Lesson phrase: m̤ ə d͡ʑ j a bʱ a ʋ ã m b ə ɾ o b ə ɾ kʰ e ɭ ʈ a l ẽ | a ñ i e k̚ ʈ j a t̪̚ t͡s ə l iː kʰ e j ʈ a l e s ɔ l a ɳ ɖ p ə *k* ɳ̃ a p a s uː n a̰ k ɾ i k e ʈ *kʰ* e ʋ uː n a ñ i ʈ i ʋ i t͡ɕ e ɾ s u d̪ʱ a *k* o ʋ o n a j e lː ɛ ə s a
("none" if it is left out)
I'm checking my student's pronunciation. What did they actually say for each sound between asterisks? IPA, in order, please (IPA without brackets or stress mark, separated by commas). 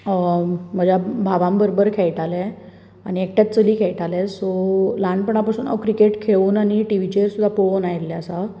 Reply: none, kʰ, p